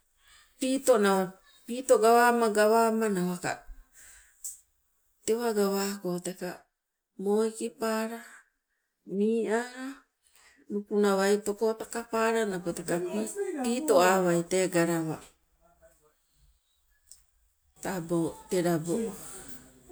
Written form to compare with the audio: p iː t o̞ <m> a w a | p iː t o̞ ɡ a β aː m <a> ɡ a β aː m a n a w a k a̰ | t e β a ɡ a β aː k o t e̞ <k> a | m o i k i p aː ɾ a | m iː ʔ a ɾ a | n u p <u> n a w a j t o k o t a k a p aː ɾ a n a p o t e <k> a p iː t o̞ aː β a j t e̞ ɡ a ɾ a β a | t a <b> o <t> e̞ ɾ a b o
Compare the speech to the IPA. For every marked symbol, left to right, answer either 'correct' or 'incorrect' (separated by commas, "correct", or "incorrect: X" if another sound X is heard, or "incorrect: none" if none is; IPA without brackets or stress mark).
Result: incorrect: n, correct, correct, correct, correct, correct, correct